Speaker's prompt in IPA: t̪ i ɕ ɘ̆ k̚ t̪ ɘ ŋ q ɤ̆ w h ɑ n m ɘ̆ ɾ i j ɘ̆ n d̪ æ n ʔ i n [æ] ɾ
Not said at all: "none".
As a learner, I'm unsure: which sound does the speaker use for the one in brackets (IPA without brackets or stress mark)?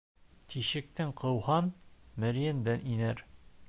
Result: æ